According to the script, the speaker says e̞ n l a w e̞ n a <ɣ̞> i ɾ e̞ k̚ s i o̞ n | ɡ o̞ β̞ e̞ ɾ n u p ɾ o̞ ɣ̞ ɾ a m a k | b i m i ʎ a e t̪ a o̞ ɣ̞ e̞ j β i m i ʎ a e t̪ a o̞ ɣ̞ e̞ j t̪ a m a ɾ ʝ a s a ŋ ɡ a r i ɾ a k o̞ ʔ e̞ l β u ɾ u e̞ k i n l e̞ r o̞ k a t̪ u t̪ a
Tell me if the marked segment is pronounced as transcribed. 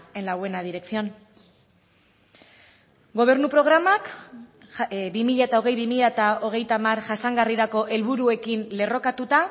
no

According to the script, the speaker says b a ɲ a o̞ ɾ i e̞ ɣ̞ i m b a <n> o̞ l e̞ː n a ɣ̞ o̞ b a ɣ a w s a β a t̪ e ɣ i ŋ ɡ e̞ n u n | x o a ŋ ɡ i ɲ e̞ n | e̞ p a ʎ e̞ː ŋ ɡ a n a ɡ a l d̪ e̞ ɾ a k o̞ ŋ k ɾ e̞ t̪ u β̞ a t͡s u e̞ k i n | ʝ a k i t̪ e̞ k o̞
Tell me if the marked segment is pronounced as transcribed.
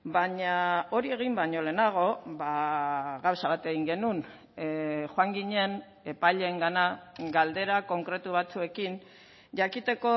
no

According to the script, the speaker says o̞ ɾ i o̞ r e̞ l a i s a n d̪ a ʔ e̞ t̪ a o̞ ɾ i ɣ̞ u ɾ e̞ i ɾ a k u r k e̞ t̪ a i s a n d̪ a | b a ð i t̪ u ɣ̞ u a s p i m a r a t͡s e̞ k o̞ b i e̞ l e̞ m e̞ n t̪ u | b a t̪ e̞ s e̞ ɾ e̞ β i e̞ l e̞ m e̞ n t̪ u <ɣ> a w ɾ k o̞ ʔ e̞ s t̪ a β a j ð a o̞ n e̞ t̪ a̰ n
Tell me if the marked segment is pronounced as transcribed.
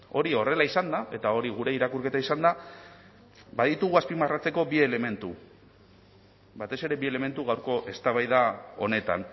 yes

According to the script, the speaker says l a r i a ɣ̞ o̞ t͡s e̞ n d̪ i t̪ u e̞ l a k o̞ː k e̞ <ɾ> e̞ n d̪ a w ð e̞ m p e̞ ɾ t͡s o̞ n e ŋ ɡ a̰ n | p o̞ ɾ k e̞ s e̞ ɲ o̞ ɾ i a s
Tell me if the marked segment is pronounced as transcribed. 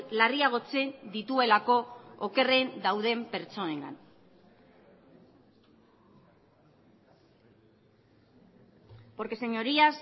no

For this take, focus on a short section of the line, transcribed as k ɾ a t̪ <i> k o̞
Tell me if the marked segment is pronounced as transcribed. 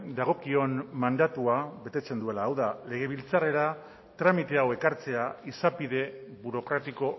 yes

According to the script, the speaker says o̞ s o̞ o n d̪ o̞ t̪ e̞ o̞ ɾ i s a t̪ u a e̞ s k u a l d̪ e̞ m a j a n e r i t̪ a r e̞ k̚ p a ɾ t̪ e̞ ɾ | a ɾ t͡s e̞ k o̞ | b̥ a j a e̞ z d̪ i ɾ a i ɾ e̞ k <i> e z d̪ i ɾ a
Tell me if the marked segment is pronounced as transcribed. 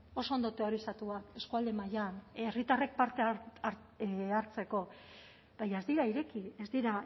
yes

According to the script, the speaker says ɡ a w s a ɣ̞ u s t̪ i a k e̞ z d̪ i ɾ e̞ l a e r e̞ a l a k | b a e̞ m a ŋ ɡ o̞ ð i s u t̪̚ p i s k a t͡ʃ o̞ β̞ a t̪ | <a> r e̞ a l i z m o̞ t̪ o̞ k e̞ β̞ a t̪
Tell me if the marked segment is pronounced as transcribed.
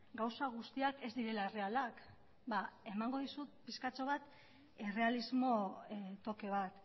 no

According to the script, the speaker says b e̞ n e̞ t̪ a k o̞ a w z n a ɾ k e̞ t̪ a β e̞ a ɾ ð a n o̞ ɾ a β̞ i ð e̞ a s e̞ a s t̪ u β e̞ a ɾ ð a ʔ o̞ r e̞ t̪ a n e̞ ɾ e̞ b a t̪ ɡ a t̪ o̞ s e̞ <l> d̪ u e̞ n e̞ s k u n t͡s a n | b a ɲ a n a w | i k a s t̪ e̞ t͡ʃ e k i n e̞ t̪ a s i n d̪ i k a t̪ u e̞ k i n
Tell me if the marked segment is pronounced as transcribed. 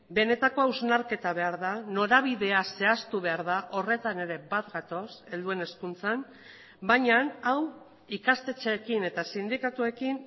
yes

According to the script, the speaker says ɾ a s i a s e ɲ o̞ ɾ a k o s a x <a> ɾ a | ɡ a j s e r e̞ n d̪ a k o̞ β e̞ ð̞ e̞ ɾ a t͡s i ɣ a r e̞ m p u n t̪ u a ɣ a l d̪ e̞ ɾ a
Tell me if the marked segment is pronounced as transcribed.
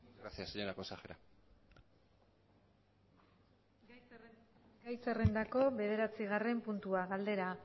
no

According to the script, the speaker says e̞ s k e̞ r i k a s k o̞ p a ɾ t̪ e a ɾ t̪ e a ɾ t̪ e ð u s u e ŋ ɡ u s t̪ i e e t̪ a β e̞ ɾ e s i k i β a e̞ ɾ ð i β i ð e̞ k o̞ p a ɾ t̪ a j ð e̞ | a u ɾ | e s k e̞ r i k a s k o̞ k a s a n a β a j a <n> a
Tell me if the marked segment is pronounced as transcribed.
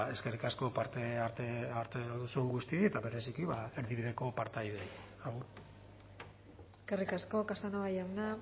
yes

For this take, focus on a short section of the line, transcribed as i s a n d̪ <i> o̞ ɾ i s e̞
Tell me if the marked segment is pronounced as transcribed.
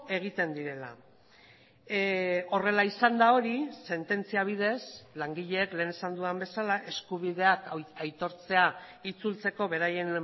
no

